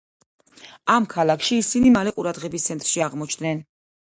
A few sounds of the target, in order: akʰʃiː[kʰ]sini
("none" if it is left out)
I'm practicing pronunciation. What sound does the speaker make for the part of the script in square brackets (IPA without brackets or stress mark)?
none